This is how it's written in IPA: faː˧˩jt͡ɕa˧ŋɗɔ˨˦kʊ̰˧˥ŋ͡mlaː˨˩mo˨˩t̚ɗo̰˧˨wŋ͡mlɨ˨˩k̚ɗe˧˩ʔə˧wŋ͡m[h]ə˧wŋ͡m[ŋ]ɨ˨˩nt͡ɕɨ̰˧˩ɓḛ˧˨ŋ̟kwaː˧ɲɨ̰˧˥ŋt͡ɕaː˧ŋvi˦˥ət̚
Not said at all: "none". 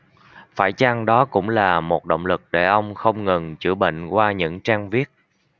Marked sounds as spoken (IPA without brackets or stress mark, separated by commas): x, ŋ